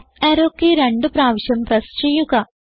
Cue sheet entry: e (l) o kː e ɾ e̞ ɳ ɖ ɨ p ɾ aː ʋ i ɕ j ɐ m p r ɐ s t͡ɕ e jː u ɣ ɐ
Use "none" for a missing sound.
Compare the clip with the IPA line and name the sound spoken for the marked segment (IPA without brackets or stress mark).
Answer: ɾ